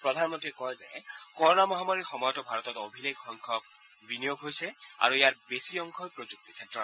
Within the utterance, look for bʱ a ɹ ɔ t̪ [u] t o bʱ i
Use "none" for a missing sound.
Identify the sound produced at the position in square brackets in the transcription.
ɔ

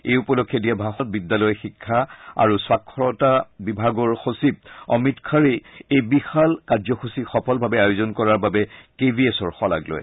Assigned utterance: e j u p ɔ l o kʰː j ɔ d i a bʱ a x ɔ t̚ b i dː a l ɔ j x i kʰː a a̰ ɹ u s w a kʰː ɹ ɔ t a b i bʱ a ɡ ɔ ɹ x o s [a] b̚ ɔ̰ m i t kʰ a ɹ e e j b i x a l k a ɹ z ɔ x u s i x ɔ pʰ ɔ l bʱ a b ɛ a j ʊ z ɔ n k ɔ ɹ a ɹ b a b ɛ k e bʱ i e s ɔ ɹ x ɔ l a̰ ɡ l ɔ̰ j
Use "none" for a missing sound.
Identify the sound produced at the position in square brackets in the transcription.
i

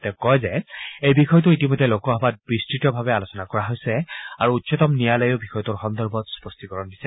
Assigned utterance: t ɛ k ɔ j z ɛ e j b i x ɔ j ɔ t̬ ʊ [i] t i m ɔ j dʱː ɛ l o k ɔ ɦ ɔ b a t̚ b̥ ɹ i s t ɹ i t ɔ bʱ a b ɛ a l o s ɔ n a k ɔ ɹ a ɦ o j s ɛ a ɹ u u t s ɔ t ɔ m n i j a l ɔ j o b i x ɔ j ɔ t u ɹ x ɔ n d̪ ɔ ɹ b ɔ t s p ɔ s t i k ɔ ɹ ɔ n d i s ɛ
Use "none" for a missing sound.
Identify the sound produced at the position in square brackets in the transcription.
i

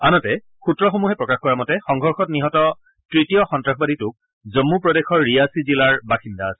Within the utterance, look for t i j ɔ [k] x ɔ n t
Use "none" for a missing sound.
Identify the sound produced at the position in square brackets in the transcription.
none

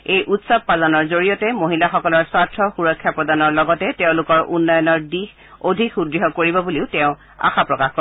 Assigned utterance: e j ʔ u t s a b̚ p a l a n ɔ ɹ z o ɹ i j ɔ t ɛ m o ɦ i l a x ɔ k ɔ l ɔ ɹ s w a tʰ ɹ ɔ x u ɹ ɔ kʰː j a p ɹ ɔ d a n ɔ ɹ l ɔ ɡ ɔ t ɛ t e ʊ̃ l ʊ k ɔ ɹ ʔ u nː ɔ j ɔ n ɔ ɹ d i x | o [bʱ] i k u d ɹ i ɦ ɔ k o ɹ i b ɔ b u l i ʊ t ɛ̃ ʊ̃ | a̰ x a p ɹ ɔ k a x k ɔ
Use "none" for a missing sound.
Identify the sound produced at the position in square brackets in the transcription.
dʱ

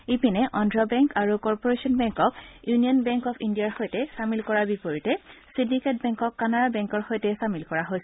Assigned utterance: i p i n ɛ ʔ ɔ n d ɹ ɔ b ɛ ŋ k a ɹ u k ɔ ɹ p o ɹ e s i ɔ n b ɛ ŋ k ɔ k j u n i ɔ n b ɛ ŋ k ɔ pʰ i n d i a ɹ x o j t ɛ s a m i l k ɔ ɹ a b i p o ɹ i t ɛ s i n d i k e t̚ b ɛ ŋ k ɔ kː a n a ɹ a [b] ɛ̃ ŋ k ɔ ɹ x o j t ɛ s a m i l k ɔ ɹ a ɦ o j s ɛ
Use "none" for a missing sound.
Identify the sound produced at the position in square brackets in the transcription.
b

